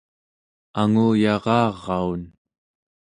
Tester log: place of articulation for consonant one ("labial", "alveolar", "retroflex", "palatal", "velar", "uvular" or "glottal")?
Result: velar